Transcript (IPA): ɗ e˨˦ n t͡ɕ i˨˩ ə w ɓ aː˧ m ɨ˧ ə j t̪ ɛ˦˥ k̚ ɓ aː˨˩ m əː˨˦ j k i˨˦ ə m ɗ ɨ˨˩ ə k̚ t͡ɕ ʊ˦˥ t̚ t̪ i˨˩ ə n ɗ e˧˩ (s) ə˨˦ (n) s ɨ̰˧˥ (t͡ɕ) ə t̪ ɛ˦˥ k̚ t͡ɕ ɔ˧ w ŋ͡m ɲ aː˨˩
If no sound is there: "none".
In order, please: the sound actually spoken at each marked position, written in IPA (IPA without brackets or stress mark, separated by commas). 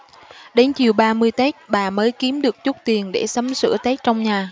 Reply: s, m, none